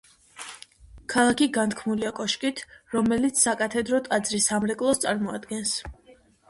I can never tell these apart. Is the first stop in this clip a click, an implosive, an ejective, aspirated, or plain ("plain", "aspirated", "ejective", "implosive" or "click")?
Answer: aspirated